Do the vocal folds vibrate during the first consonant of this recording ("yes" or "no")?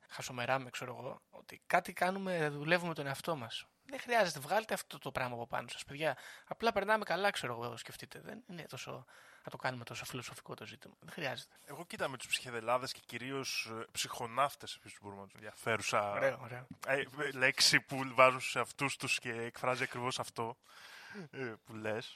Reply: no